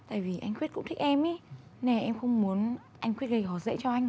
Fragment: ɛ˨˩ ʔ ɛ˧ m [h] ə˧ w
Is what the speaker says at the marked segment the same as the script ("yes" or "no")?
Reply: no